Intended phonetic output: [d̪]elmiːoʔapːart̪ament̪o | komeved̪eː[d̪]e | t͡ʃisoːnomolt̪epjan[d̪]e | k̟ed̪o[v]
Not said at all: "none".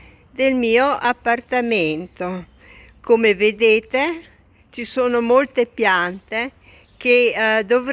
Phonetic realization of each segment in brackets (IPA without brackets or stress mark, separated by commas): d̪, t̪, t̪, v